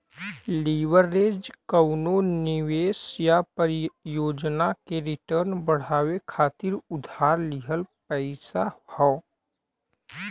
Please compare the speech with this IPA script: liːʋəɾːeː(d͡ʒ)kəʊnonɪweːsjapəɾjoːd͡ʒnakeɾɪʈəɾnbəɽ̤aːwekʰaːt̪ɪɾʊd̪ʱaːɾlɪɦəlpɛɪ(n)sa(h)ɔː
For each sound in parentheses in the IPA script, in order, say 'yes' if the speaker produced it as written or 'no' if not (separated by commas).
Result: yes, no, yes